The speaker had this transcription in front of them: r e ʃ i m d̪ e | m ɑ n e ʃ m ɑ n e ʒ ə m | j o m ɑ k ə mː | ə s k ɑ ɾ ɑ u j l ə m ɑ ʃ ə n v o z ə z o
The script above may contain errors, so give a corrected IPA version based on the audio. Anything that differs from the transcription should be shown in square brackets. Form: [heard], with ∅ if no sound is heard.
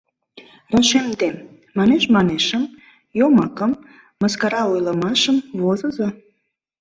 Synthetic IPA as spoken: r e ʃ [e] m d̪ e | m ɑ n e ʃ m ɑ n e [ʃ] ə m | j o m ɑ k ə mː | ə s k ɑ ɾ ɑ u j l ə m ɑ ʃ ə [m] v o z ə z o